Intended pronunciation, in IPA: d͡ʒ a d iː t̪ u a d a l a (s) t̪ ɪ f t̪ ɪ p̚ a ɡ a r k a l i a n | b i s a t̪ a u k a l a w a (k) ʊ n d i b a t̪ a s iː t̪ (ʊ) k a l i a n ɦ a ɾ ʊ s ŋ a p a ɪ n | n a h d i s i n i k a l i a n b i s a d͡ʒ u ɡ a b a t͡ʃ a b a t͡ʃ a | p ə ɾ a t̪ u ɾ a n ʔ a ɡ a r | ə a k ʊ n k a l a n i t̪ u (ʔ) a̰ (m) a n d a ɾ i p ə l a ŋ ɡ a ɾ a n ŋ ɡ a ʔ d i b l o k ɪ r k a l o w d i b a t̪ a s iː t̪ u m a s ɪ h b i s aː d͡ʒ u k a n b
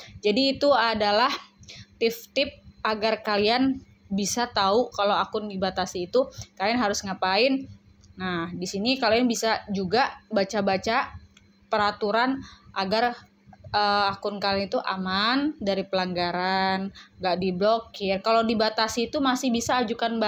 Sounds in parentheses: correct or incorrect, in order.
incorrect: h, correct, incorrect: u, correct, correct

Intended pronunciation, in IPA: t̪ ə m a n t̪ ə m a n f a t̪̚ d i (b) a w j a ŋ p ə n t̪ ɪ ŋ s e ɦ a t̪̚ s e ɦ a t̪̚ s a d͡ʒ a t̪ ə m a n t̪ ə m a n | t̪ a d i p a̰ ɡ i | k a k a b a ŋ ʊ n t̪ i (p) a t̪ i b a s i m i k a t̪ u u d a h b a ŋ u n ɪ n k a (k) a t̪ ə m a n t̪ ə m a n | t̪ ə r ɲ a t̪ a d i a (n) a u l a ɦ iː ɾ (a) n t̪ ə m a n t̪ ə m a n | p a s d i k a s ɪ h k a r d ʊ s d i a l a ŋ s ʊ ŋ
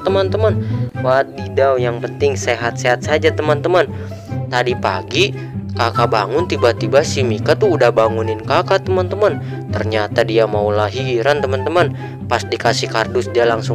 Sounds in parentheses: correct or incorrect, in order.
incorrect: d, incorrect: b, correct, incorrect: m, correct

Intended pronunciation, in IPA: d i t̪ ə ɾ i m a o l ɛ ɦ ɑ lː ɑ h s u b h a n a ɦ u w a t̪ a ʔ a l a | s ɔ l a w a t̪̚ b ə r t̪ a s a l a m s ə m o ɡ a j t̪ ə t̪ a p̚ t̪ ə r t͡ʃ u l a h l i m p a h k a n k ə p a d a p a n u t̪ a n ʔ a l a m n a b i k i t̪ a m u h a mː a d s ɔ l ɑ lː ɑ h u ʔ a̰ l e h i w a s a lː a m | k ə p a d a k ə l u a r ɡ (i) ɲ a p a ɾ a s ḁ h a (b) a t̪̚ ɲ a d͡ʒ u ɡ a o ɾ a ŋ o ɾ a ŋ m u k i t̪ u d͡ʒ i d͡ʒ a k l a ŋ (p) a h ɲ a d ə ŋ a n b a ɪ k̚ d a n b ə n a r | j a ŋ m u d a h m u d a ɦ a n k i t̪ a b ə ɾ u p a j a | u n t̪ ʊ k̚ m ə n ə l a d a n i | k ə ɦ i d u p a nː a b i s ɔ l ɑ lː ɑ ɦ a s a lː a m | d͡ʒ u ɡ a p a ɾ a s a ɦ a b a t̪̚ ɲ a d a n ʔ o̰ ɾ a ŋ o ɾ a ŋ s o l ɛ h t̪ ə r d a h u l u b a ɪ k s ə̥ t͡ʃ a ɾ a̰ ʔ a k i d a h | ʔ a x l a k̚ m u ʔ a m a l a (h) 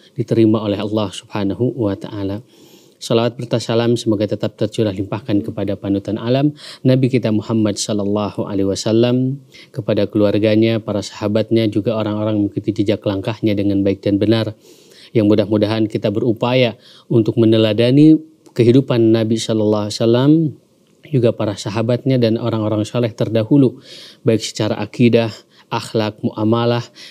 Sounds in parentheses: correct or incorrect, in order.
incorrect: a, correct, incorrect: k, correct

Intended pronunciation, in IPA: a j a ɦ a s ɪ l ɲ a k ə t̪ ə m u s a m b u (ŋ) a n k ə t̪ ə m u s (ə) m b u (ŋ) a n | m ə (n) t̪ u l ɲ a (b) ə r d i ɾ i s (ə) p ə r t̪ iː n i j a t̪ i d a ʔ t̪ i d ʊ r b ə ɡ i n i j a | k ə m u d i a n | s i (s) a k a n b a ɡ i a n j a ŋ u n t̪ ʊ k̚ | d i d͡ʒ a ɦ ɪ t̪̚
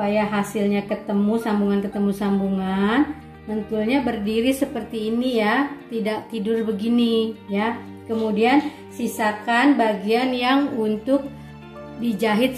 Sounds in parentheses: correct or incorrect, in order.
correct, incorrect: a, correct, correct, correct, correct, correct

